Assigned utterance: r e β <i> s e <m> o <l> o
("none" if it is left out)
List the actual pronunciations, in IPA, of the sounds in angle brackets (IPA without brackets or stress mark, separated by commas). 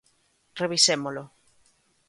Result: i, m, l